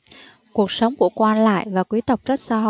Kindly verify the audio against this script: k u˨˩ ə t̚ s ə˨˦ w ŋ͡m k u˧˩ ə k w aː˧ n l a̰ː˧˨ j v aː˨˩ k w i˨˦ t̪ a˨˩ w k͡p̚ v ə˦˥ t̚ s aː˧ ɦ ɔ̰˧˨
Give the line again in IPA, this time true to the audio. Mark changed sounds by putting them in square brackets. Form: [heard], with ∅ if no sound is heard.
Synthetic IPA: k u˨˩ ə [k̚] s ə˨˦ w ŋ͡m k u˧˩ ə k w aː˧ n l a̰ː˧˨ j v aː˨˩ k w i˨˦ t̪ [ə˨˩] w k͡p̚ [z] ə˦˥ t̚ s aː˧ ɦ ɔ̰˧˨